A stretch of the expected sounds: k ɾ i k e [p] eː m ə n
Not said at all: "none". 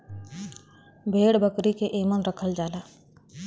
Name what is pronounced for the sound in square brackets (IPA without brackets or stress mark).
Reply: ʔ